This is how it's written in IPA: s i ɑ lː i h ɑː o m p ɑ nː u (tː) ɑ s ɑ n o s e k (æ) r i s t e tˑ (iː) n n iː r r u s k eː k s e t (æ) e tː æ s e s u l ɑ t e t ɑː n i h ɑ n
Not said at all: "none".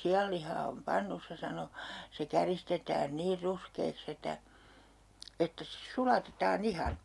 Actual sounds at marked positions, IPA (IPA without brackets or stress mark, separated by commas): sː, æ, æː, æ